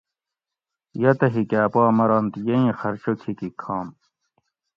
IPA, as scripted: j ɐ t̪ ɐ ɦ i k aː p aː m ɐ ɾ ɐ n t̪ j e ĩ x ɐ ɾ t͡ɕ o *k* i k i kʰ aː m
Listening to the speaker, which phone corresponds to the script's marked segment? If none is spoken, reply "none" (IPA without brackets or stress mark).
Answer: kʰ